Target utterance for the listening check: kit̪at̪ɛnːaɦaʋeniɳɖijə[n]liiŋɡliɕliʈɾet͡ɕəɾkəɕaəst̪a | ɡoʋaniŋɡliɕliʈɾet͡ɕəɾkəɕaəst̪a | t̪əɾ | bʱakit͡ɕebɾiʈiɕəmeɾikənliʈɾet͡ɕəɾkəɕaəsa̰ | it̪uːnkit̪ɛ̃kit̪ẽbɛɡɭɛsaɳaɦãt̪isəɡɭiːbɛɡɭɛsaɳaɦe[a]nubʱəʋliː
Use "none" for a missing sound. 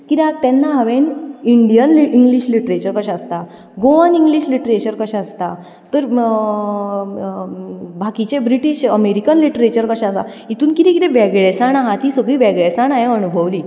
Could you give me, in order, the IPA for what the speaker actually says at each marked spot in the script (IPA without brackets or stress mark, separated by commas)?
n, ə